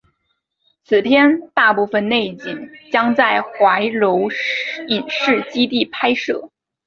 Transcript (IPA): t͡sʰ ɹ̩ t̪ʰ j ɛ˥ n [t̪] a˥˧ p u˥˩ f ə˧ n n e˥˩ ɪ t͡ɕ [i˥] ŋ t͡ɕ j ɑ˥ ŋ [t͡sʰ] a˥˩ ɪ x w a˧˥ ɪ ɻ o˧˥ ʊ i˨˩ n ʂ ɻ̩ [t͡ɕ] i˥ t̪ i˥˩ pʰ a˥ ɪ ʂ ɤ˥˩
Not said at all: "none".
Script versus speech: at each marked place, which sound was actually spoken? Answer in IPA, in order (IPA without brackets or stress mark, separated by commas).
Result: t̪, i˨˩, t͡s, t͡ɕ